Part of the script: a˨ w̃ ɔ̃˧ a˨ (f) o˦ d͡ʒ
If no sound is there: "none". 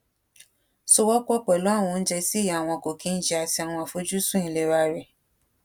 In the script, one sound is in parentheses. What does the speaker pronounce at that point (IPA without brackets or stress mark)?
f